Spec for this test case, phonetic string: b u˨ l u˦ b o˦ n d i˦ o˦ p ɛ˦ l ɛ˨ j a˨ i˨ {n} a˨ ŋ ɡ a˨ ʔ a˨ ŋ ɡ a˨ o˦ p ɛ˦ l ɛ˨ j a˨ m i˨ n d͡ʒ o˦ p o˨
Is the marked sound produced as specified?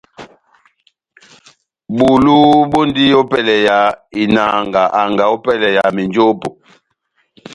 yes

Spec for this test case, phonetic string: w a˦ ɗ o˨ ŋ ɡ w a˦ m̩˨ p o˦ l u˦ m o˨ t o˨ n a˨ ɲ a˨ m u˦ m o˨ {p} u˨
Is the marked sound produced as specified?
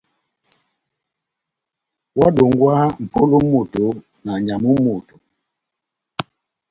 no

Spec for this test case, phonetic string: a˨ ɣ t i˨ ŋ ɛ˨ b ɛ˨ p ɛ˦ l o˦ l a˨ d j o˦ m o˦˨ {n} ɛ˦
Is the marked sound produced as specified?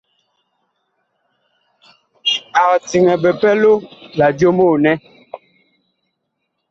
yes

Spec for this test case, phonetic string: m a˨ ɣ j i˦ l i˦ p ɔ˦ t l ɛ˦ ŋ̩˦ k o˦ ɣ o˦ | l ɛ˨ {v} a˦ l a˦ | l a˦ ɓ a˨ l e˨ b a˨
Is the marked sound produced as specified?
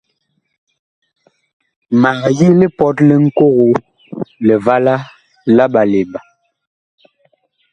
yes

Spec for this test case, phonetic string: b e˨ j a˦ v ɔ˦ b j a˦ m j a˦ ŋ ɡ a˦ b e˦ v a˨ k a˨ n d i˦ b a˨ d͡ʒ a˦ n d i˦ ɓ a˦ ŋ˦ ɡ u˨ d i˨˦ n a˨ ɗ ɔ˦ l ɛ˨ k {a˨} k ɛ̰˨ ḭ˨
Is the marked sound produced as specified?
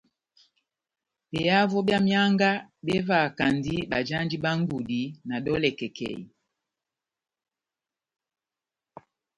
no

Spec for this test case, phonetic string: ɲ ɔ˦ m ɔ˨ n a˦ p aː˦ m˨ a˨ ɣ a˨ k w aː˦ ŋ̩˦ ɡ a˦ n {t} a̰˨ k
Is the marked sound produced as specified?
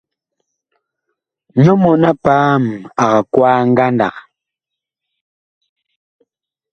no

